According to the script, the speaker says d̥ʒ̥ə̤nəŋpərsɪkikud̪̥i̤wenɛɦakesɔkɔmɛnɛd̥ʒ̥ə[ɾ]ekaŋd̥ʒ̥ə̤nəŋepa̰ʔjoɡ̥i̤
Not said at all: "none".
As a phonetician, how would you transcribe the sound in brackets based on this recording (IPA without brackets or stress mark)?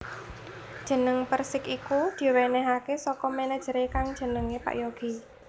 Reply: ɾ